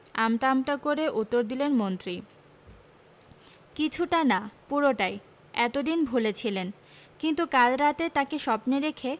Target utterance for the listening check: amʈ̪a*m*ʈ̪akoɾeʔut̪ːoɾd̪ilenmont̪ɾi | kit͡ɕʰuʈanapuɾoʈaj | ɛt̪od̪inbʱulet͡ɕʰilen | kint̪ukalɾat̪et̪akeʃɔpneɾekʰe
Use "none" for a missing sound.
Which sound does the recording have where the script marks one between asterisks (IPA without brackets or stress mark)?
m